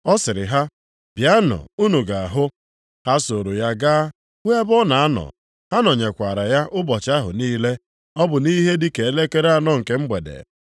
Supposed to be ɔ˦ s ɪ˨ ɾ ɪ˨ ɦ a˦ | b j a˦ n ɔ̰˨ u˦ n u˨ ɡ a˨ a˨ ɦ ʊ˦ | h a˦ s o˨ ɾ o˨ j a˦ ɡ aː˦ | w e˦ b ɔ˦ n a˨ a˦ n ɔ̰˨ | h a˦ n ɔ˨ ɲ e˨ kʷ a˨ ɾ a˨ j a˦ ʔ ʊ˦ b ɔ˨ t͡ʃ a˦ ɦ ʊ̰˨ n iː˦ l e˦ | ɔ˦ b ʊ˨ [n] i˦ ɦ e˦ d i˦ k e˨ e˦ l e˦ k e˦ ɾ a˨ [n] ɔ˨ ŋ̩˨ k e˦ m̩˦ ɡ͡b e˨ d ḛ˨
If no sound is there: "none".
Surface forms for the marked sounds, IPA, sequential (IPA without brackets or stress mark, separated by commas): n, n